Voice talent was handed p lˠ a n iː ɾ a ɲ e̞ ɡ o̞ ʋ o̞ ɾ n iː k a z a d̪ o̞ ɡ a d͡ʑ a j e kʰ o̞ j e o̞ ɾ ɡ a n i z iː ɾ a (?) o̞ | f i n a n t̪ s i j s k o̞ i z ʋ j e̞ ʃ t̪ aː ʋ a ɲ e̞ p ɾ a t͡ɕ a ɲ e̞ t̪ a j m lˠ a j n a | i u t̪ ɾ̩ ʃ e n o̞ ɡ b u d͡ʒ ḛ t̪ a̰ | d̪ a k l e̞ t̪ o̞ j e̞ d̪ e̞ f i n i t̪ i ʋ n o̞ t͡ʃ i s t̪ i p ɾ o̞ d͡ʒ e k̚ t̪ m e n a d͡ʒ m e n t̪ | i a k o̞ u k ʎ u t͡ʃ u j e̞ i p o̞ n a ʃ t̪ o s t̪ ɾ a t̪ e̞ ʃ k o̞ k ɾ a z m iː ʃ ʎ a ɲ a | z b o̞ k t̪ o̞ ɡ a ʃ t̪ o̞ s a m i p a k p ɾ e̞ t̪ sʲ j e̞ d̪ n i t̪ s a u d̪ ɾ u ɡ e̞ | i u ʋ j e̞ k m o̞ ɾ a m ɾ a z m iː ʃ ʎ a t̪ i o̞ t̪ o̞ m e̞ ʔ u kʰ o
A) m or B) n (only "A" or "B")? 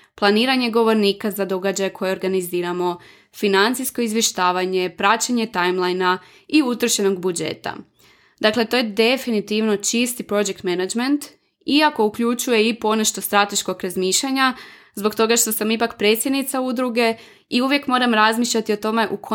A